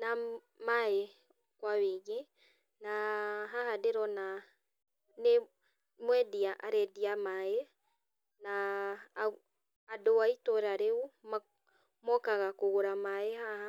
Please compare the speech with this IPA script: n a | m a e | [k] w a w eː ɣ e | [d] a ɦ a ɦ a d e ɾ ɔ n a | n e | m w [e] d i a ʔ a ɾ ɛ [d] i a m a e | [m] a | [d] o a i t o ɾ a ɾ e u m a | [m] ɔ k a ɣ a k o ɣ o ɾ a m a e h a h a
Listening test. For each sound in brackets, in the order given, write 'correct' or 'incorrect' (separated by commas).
correct, incorrect, incorrect, correct, incorrect, correct, correct